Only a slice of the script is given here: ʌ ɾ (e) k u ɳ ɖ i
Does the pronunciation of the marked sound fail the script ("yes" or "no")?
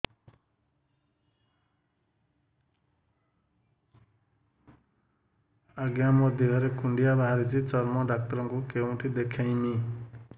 no